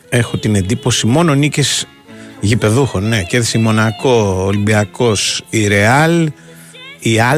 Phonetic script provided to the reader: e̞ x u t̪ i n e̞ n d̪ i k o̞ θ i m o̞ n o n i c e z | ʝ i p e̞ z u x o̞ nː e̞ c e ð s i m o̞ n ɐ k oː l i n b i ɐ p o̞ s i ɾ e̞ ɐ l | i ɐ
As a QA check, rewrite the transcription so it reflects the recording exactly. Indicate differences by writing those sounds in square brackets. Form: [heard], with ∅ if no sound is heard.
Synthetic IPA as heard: e̞ x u t̪ i n e̞ n d̪ i [p] o̞ [s] i m o̞ n o n i c e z | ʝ i p e̞ [ð] u x o̞ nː e̞ c e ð s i m o̞ n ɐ k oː l i [m] b i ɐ [k] o̞ s i ɾ e̞ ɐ l | i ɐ